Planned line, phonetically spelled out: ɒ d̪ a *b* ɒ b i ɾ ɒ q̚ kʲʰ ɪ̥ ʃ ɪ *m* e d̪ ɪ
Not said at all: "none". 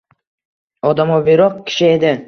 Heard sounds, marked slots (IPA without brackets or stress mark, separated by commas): m, none